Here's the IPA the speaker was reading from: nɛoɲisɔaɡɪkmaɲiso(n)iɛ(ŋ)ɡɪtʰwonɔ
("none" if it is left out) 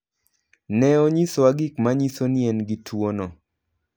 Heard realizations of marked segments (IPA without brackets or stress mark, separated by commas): n, n